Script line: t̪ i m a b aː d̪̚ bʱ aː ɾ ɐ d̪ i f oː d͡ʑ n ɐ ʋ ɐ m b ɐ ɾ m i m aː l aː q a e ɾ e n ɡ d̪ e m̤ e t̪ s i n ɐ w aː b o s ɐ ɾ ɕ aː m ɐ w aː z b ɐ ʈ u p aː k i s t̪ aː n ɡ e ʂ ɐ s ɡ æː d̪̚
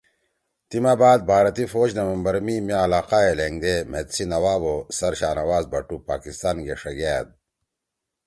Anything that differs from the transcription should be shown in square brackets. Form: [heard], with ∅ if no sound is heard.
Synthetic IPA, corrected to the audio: t̪ i m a b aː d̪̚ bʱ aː ɾ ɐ [t̪] i f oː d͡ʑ n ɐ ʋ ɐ m b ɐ ɾ m i m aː l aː q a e [l] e [ŋ] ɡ d̪ e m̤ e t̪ s i n ɐ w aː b o s ɐ ɾ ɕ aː [n] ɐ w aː z b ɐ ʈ u p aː k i s t̪ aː n ɡ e ʂ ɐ [∅] ɡ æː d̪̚